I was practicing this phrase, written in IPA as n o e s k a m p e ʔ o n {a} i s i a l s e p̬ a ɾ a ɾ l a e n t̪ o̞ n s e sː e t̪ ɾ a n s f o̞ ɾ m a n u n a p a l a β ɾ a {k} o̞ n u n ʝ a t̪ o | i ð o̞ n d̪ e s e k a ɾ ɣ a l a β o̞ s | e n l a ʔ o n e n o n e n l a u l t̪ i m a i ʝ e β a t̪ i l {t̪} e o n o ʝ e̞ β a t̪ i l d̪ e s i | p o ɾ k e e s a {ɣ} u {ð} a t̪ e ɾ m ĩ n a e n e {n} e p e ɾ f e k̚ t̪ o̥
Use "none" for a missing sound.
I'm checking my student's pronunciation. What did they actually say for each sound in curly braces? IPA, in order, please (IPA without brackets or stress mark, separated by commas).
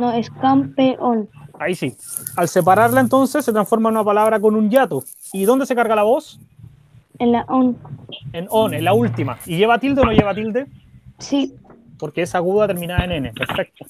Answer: a, k, d̪, ɣ, ð, n